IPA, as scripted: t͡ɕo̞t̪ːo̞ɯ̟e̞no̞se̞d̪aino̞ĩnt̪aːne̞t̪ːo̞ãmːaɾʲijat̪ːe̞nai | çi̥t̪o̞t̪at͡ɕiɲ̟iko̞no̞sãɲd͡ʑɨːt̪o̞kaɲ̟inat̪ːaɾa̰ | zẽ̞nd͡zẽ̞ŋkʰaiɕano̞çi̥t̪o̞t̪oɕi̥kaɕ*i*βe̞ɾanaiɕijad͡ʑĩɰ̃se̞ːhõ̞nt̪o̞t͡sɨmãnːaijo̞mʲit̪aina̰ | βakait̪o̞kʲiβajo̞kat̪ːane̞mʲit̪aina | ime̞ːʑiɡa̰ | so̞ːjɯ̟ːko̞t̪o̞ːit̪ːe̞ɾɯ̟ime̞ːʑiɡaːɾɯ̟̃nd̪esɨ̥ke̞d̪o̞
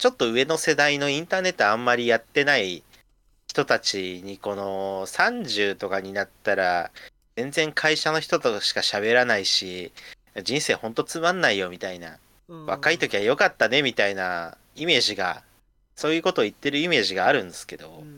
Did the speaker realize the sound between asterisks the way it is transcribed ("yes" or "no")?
no